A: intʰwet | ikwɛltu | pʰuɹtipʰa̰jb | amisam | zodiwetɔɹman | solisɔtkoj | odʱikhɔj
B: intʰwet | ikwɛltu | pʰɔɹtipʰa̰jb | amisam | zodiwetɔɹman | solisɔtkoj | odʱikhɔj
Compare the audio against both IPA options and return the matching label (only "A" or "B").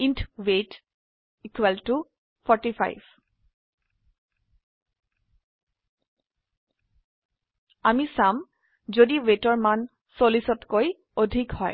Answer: B